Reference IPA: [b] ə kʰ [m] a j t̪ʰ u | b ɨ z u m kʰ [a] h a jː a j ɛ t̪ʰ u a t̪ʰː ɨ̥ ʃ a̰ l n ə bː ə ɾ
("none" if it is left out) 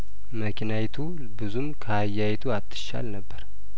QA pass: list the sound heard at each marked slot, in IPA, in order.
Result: m, n, ə

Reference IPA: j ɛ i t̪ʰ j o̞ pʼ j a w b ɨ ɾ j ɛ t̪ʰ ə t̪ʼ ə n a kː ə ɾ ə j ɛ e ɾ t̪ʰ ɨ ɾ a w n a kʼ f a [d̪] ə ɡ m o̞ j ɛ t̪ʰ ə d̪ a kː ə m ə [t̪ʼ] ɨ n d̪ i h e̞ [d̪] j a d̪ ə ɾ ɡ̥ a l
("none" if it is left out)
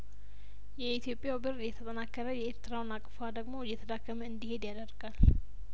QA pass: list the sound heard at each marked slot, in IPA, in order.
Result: d̪, none, d̪

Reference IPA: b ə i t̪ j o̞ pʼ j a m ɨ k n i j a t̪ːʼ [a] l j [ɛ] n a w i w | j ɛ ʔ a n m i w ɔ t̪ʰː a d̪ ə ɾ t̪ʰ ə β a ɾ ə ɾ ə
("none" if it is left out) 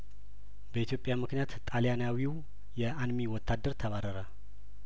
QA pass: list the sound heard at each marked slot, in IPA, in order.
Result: a, a

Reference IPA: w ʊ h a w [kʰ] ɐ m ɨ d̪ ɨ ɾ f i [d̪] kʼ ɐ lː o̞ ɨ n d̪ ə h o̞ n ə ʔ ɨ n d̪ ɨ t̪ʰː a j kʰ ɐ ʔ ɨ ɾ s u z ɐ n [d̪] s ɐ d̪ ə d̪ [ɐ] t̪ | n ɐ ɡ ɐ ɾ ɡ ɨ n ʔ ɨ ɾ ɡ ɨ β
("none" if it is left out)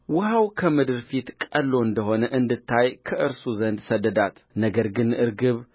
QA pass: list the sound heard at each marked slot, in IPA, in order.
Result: kʰ, t̪, d̪, a

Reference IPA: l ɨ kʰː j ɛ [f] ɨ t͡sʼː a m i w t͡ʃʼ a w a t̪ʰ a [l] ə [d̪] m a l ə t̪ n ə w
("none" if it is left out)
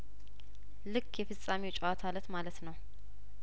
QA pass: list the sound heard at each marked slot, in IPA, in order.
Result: f, l, t̪

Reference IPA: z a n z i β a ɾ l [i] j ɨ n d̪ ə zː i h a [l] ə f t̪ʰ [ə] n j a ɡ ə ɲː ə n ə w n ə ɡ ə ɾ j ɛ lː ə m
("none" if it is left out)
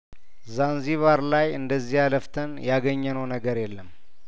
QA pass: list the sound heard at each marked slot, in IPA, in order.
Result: a, l, ə

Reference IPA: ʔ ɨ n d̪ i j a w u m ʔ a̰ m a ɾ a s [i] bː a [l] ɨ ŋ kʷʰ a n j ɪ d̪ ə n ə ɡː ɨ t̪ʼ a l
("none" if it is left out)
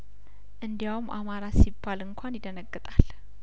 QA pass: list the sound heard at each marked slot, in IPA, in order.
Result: i, l

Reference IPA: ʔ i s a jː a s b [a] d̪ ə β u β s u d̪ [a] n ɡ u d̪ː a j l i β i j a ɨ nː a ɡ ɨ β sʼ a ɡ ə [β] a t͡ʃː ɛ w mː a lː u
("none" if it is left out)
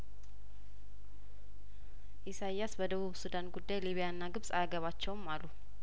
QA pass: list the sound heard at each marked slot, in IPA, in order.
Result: ə, a, β

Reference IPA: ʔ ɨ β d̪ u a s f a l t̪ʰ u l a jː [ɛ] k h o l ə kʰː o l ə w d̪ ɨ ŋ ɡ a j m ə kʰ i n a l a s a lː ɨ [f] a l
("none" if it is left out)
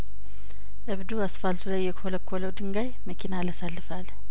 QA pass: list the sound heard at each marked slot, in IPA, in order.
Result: ɛ, f

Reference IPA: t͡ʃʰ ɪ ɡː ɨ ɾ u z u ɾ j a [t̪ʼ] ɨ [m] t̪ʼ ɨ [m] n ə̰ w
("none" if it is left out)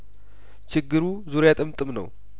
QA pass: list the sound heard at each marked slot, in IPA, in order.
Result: t̪ʼ, m, m

